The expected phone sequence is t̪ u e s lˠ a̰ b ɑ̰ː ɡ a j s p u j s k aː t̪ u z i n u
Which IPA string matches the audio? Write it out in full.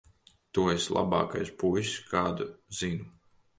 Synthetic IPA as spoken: t̪ u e s lˠ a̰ b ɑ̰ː k a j s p u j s k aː d̪ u z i n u